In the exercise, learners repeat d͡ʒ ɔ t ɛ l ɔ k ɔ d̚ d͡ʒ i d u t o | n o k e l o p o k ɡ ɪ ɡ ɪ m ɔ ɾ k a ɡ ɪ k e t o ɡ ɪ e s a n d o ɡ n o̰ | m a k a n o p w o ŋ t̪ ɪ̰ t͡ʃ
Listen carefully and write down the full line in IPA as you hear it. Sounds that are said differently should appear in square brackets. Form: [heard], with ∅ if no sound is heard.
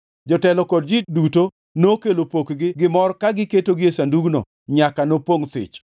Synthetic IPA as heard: d͡ʒ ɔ t ɛ l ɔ k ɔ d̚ d͡ʒ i d u t o | n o k e l o p o k ɡ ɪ ɡ ɪ m ɔ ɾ k a ɡ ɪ k e t o ɡ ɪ e s a n d [u] ɡ n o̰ | [ɲ] a k a n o p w o ŋ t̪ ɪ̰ t͡ʃ